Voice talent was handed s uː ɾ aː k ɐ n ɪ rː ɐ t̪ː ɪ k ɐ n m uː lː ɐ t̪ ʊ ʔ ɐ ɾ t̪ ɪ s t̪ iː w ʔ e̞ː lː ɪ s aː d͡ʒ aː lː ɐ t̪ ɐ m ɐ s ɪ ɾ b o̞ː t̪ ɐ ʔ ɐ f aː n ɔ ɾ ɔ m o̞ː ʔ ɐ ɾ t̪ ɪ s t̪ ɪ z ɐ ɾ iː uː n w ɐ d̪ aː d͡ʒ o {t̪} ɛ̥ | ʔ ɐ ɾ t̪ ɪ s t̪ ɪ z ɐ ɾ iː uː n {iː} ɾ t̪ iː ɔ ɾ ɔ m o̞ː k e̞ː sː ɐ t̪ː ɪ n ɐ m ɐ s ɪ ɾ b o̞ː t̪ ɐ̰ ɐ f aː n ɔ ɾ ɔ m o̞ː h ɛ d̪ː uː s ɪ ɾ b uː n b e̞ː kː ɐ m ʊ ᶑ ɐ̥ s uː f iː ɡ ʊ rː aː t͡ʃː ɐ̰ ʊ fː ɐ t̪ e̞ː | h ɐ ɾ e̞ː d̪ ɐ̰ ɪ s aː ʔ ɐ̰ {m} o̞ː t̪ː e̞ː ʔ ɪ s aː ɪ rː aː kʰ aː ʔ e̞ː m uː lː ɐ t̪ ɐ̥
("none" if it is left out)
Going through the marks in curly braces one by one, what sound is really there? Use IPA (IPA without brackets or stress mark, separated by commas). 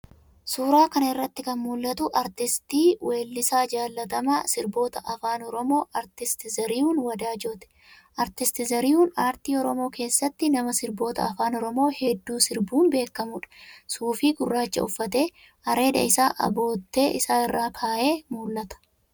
t̪, aː, b